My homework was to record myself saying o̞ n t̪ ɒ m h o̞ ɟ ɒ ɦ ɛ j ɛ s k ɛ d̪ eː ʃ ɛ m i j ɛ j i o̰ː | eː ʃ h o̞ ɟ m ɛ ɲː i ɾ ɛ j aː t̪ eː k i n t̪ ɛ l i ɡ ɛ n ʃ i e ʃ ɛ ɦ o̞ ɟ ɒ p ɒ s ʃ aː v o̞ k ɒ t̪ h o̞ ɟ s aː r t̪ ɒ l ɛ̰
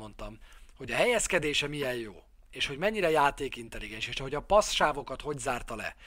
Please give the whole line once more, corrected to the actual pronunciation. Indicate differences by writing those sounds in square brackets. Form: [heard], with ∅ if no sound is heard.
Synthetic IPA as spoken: o̞ n t̪ ɒ m h o̞ ɟ ɒ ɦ ɛ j ɛ s k ɛ d̪ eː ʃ ɛ m i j ɛ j [j] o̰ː | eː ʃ h o̞ ɟ m ɛ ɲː i ɾ ɛ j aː t̪ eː k i n t̪ ɛ l i ɡ ɛ n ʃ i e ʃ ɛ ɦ o̞ ɟ ɒ p ɒ s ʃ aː v o̞ k ɒ t̪ h o̞ ɟ [z] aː r t̪ ɒ l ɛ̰